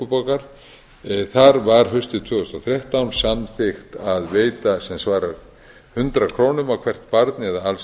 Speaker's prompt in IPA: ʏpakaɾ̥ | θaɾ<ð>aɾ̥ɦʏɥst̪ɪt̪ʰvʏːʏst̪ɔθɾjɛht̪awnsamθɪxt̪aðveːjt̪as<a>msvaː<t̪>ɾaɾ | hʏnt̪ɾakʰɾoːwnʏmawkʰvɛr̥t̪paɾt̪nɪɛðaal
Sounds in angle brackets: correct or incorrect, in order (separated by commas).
incorrect, incorrect, incorrect